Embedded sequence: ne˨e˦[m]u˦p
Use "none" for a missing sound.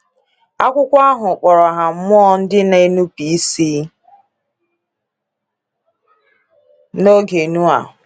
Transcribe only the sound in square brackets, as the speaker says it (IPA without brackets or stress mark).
n